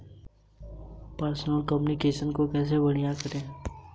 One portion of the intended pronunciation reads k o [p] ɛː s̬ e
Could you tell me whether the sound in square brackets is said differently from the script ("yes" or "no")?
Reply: yes